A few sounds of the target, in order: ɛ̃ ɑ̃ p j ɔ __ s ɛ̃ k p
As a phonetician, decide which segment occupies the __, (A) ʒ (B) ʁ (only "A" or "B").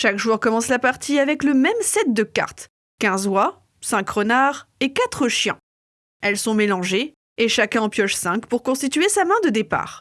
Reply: A